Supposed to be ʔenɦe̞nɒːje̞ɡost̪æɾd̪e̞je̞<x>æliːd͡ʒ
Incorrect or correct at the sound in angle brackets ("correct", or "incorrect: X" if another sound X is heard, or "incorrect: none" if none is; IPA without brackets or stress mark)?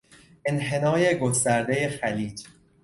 correct